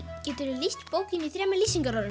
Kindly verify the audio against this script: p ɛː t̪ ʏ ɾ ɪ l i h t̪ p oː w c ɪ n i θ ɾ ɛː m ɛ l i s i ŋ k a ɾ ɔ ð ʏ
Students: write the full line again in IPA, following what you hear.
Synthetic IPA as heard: c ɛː t̪ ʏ ɾ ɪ l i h t̪ p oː w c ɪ n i θ ɾ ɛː m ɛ l i s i ŋ k a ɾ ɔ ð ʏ

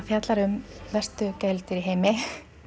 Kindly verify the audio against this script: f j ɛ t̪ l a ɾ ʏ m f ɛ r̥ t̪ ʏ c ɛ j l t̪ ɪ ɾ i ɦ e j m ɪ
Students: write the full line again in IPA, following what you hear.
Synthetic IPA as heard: f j a t̪ l a ɾ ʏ m v ɛ r̥ t̪ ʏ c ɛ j l t̪ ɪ ɾ i ɦ e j m ɪ

